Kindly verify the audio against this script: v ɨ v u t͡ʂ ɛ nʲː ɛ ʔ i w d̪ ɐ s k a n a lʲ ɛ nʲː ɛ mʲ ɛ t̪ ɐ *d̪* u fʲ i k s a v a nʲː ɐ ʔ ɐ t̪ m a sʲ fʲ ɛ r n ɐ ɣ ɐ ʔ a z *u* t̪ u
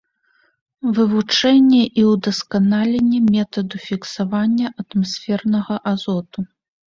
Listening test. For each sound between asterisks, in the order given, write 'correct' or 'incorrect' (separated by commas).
correct, incorrect